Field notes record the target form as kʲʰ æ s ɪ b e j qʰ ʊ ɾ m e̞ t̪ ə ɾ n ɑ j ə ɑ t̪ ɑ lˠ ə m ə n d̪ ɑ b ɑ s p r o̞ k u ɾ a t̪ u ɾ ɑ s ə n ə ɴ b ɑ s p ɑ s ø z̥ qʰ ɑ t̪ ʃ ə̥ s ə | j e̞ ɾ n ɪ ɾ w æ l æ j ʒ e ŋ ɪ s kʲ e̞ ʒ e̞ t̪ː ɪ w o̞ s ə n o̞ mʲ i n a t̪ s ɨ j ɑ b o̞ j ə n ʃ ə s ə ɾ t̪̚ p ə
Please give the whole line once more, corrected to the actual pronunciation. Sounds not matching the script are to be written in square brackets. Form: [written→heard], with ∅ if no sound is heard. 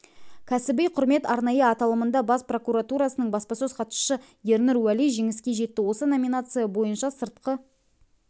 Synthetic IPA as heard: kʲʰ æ s ɪ b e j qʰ ʊ ɾ m e̞ t̪ [ə→ɑ] ɾ n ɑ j ə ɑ t̪ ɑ lˠ ə m ə n d̪ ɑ b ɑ s p r o̞ k u ɾ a t̪ u ɾ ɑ s ə n ə ɴ b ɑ s p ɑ s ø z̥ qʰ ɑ t̪ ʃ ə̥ [s→ʃ] ə | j e̞ ɾ n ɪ ɾ w æ l [æ→i] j ʒ e ŋ ɪ s kʲ e̞ ʒ e̞ t̪ː ɪ w o̞ s ə n o̞ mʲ i n a t̪ s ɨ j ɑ b o̞ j ə n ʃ [ə→ɑ] s ə ɾ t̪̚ [p→q] ə